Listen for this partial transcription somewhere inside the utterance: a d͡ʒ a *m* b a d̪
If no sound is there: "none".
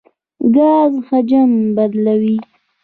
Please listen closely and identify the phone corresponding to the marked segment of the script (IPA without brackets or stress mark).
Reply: m